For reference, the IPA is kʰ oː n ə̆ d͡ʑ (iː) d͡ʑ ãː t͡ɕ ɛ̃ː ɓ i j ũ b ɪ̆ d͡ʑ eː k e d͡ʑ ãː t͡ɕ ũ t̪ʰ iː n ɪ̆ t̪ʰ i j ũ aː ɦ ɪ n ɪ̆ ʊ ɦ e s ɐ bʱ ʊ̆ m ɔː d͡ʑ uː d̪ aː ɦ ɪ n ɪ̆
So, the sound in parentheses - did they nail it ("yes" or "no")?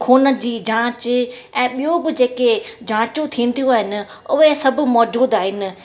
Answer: yes